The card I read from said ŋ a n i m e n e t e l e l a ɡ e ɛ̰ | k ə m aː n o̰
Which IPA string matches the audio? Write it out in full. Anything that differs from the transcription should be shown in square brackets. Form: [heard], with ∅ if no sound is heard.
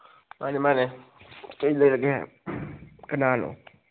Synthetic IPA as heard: [m] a n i m [a] n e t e l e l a ɡ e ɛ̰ | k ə [n] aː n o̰